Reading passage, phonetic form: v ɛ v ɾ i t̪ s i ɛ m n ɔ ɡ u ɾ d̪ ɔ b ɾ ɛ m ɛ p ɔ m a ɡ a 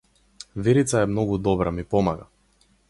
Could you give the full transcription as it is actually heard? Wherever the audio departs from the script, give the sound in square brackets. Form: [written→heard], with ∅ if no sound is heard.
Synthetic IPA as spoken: v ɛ [v→∅] ɾ i t̪ s [i→a] ɛ m n ɔ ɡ u [ɾ→∅] d̪ ɔ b ɾ [ɛ→a] m [ɛ→i] p ɔ m a ɡ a